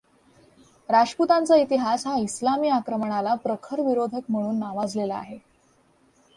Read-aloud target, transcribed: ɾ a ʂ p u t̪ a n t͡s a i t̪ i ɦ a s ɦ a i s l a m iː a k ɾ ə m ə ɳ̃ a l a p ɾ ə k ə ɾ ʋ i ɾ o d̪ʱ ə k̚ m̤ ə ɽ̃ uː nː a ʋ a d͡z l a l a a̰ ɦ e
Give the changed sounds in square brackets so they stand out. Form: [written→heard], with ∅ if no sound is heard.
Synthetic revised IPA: ɾ a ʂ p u t̪ a n t͡s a i t̪ i ɦ a s ɦ a i s l a m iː a k ɾ ə m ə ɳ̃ a l a p ɾ ə [k→kʰ] ə ɾ ʋ i ɾ o d̪ʱ ə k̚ m̤ ə ɽ̃ uː nː a ʋ a d͡z l [a→e] l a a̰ ɦ e